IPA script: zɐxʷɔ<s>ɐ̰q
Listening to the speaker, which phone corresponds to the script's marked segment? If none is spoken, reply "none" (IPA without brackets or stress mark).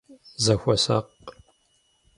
s